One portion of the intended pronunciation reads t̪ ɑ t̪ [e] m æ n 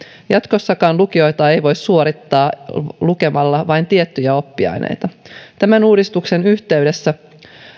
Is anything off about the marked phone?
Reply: yes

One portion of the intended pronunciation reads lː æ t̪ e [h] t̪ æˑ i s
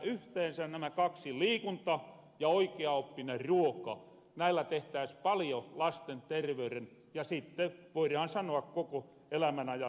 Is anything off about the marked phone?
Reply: no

